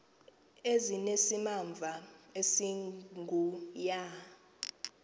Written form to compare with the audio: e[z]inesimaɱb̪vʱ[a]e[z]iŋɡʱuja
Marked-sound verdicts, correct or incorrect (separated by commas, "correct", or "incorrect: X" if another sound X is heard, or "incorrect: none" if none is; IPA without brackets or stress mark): correct, correct, incorrect: s